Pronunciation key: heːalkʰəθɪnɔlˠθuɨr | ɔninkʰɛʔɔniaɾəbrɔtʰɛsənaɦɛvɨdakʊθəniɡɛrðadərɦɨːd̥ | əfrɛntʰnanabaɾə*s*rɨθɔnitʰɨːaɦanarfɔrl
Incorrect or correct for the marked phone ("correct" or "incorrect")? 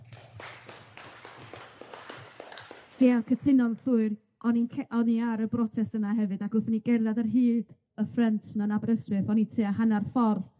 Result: correct